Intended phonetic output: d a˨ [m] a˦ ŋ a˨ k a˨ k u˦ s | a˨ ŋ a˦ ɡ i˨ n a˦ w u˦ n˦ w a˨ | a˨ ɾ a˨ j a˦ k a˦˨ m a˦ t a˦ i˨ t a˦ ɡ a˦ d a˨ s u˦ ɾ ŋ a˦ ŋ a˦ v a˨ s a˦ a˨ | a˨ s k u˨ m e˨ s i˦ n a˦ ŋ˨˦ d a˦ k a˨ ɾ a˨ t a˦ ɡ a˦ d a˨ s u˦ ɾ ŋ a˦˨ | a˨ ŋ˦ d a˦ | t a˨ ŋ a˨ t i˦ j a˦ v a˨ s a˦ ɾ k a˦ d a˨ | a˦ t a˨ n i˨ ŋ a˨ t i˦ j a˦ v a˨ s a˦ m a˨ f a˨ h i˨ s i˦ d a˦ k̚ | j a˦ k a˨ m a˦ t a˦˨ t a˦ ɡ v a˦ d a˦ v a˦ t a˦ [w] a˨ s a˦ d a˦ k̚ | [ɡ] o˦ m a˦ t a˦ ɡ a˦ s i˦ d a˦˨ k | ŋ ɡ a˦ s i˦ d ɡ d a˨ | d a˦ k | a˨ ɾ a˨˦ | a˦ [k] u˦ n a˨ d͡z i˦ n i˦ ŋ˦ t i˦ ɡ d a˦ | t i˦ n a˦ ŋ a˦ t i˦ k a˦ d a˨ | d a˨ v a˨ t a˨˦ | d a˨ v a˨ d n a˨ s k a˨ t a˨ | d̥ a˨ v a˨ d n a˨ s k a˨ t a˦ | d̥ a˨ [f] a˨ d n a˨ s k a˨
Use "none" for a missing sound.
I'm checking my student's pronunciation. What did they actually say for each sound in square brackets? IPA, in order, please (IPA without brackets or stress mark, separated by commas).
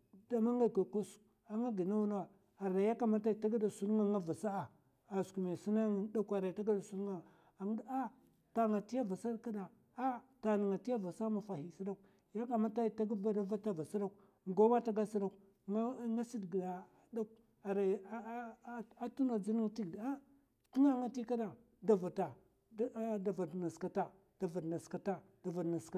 m, v, ɡ, t, v